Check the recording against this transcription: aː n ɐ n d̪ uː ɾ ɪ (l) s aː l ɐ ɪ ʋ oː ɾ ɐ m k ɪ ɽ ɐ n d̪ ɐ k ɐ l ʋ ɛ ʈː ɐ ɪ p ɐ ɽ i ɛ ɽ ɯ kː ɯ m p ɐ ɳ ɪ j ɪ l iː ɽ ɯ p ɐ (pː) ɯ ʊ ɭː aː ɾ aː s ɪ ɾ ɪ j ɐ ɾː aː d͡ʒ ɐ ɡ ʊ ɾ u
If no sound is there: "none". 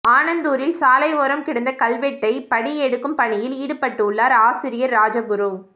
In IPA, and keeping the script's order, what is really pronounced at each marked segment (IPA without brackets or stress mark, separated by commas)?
l, ʈː